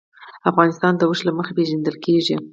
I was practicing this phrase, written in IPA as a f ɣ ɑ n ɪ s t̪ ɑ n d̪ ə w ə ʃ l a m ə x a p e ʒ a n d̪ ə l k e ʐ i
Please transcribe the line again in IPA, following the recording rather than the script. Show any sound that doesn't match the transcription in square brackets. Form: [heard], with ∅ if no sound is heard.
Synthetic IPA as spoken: a f ɣ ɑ n ɪ s t̪ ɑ n d̪ ə w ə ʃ l a m ə x a p e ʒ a n d̪ ə l k e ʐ i